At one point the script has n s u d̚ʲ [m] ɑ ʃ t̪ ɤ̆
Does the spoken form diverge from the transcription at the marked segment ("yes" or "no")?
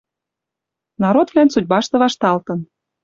yes